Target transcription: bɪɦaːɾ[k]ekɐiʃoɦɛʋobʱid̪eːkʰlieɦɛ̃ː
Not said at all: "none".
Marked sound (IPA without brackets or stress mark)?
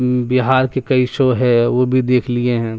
k